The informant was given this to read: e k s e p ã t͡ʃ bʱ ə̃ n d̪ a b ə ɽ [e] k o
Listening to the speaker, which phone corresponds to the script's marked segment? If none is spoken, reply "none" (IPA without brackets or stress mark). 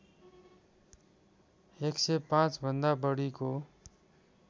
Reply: i